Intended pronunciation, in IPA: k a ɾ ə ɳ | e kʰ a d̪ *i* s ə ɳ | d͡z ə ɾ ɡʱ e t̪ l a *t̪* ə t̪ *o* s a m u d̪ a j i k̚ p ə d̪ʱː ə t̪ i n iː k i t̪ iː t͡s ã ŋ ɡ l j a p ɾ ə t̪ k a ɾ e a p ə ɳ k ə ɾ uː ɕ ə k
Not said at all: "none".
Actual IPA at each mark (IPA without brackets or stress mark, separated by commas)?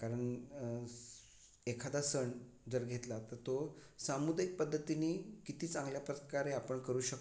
a, t̪, o